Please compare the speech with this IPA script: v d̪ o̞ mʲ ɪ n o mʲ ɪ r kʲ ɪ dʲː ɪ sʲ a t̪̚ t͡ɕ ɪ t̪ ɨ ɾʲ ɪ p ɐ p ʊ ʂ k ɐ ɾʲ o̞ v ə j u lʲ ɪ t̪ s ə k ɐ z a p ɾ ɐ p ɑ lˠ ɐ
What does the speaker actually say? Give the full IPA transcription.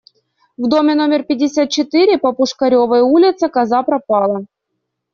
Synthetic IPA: v d̪ o̞ mʲ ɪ n o mʲ ɪ r pʲ ɪ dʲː ɪ sʲ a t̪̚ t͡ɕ ɪ t̪ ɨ ɾʲ ɪ p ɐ p ʊ ʂ k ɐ ɾʲ o̞ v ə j u lʲ ɪ t̪ s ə k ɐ z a p ɾ ɐ p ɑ lˠ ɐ